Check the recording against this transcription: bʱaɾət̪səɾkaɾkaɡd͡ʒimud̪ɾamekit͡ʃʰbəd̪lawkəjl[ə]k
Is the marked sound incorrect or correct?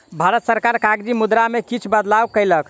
correct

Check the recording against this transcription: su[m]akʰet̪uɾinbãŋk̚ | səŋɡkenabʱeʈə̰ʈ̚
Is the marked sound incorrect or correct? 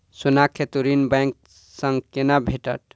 incorrect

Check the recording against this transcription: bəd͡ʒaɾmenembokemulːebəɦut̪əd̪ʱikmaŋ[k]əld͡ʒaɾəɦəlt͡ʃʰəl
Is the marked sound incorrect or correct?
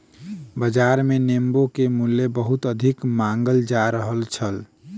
incorrect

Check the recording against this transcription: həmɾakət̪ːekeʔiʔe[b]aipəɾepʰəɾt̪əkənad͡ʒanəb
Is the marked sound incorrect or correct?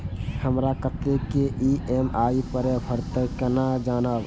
incorrect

